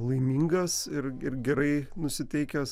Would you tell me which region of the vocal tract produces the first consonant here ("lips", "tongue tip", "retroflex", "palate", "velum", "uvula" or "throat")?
tongue tip